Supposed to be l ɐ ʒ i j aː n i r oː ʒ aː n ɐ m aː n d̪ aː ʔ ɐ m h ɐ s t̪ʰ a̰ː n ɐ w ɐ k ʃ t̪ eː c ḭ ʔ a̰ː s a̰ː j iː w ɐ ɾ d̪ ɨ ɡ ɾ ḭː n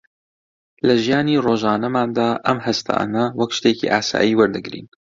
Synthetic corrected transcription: l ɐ ʒ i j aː n i r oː ʒ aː n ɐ m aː n d̪ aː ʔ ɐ m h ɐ s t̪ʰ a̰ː n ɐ w ɐ k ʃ t̪ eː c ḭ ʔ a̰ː s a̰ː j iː w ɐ ɾ d̪ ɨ ɡ ɾ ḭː n